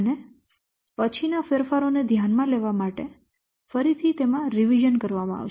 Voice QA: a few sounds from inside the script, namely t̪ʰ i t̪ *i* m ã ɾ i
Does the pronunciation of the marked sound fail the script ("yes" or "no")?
yes